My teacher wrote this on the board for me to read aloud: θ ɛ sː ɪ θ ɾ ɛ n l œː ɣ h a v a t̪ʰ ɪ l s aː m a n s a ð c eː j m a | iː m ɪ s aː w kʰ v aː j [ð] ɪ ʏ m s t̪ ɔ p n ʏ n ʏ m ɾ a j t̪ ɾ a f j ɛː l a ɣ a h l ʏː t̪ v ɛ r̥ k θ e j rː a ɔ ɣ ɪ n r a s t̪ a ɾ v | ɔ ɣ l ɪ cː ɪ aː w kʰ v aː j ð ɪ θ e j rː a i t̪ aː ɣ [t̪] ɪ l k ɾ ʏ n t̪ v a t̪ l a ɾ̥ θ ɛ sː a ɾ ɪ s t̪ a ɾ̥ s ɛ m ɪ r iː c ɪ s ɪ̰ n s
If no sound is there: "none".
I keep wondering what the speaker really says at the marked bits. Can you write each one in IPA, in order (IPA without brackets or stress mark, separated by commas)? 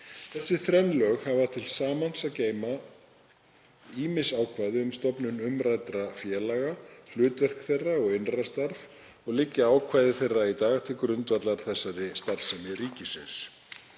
ð, t̪ʰ